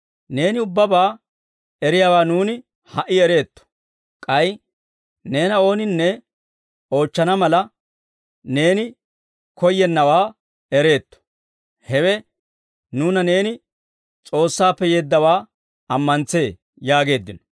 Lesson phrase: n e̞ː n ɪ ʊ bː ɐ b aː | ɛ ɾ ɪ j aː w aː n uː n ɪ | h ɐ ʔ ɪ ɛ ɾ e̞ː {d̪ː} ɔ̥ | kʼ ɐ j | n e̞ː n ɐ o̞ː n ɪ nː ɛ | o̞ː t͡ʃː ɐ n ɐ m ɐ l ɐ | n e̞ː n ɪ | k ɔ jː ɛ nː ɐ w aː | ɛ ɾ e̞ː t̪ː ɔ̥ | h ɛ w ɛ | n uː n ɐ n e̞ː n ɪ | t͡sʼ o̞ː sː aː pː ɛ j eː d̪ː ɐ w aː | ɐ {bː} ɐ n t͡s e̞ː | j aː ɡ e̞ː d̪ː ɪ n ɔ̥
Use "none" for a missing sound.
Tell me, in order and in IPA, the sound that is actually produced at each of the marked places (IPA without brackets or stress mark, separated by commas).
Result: t̪ː, mː